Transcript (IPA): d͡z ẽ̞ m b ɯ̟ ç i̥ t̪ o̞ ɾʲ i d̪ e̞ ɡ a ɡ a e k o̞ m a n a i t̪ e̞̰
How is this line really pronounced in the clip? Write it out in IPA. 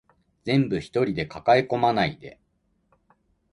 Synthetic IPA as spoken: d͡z ẽ̞ m b ɯ̟ ç i̥ t̪ o̞ ɾʲ i d̪ e̞ k a k a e k o̞ m a n a i d̪ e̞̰